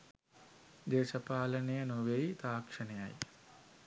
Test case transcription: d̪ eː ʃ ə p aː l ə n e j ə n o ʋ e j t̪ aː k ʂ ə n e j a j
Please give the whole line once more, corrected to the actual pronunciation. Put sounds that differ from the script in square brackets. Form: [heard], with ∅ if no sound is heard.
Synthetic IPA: d̪ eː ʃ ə p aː l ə n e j ə n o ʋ e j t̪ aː k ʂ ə n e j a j